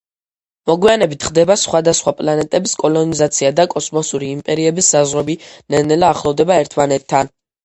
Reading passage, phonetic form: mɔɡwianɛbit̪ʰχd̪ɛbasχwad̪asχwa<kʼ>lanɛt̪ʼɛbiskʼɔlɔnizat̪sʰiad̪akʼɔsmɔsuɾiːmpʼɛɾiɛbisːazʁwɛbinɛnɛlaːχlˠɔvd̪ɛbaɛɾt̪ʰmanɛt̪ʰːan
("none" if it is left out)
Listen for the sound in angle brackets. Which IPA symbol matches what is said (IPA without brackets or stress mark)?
pʼ